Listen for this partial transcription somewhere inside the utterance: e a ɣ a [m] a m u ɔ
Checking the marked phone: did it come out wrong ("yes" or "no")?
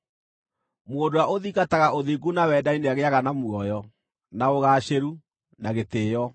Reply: yes